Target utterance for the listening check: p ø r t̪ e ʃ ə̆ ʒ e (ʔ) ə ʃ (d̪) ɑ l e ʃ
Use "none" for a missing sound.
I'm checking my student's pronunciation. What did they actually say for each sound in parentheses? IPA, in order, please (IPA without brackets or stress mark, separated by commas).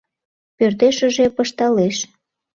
p, t̪